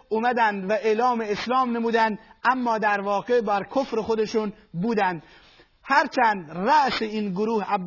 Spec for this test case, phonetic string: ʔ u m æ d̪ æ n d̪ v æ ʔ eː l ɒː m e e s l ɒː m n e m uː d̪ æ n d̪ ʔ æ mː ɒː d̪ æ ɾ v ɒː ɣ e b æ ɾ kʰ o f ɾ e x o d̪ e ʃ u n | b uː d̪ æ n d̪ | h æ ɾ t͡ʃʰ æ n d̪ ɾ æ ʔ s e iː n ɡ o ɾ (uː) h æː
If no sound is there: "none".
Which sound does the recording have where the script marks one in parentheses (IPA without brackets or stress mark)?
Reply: uː